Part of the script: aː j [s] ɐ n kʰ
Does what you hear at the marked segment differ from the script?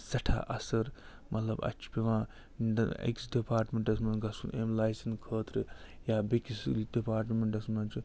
no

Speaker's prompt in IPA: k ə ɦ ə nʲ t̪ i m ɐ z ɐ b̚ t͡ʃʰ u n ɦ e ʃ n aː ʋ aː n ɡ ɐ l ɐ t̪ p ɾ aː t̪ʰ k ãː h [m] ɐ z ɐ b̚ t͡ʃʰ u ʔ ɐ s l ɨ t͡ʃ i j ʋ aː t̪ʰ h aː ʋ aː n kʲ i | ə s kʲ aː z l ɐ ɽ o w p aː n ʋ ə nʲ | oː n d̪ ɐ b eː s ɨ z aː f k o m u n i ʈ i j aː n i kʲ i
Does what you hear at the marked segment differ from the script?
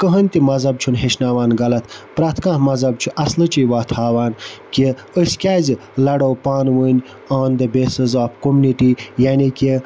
no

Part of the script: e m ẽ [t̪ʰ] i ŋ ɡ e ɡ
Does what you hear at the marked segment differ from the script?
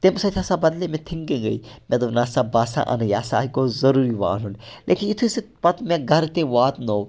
no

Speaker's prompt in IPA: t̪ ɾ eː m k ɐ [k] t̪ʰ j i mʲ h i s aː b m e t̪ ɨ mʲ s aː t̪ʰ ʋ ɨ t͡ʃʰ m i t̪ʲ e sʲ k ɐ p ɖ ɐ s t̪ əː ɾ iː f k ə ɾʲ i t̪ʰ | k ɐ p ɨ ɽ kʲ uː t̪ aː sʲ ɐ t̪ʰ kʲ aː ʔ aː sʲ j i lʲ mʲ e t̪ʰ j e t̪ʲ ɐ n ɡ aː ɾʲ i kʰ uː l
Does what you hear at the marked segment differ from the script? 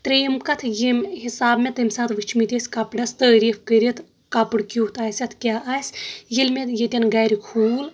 yes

